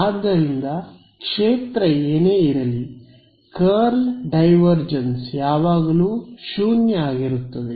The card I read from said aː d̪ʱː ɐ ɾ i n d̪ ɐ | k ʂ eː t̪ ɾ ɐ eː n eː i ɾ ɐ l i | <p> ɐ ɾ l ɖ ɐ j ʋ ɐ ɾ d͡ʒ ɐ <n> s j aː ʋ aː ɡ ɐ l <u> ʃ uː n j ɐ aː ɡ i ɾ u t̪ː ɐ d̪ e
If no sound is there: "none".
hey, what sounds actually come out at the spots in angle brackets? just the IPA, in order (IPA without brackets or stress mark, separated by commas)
k, n, uː